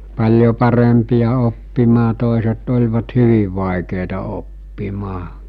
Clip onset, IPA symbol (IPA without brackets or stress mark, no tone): p